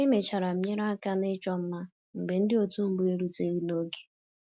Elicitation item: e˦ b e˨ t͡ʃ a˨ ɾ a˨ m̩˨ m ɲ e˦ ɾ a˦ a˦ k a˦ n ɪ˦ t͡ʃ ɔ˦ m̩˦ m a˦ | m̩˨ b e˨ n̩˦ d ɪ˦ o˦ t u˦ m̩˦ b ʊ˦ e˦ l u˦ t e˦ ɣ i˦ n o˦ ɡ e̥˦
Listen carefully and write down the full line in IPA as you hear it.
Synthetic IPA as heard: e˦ m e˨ t͡ʃ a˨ ɾ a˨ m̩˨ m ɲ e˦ ɾ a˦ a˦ k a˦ n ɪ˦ t͡ʃ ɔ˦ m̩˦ m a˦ | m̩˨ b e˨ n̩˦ d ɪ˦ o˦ t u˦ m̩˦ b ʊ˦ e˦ ɾ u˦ t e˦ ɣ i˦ n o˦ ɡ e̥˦